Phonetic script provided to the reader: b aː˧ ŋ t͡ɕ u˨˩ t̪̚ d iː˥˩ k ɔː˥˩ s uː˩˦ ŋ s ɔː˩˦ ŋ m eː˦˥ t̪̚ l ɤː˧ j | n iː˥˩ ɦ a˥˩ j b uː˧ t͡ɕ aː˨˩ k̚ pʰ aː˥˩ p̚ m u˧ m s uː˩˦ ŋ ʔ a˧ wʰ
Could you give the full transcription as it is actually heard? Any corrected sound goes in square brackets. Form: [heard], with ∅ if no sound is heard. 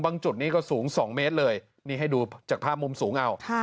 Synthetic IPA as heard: b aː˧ ŋ t͡ɕ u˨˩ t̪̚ [n] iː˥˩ k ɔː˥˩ s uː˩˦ ŋ s ɔː˩˦ ŋ m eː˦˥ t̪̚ l ɤː˧ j | n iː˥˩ ɦ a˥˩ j [d] uː˧ t͡ɕ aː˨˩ k̚ pʰ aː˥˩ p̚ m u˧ m s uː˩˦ ŋ ʔ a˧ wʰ